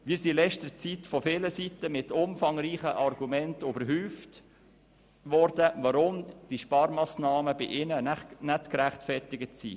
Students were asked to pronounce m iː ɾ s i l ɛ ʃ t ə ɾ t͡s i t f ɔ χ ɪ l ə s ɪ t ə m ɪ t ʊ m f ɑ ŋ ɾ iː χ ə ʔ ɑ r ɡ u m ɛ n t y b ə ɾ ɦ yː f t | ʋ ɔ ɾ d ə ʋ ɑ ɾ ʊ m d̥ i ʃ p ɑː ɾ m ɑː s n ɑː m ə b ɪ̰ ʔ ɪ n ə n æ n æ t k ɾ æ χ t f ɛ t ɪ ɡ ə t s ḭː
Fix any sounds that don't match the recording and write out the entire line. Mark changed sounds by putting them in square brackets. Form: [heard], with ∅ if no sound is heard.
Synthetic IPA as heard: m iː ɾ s i l ɛ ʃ t ə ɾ t͡s i t f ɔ [f] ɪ l ə s [i] t ə m ɪ t ʊ m f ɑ ŋ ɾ iː χ ə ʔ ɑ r ɡ u m ɛ n t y b ə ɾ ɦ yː f t | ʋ ɔ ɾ d ə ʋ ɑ ɾ ʊ m d̥ i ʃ p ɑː ɾ m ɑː s n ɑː m ə b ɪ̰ ʔ ɪ n ə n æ n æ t k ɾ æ χ t f ɛ t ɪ ɡ ə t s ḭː